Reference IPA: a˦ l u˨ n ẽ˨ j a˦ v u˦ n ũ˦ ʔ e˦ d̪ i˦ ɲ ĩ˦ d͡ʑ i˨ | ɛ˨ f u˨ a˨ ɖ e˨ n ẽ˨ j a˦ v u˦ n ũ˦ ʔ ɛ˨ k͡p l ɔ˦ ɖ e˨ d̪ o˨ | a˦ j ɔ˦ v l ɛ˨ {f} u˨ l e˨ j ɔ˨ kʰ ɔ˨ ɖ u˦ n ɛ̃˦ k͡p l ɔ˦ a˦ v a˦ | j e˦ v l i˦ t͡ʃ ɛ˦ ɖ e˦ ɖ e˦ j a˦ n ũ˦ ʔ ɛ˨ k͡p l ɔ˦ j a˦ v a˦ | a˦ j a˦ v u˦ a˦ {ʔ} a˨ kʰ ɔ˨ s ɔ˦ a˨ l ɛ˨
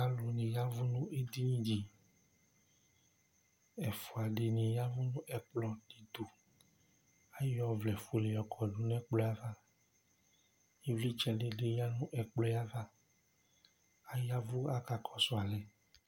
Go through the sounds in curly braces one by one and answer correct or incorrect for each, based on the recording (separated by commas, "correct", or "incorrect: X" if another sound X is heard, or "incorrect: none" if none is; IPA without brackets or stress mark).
correct, incorrect: k